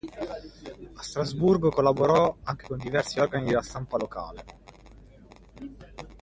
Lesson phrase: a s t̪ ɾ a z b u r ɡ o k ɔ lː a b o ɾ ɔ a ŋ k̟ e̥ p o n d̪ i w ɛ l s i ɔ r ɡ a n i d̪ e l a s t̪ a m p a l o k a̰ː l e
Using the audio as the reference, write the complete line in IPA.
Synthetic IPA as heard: a s t̪ ɾ a z b u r ɡ o k o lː a b o ɾ ɔ a ŋ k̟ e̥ k o n d̪ i v ɛ r s i ɔ r ɡ a n i d̪ e l a s t̪ a m p a l o k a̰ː l e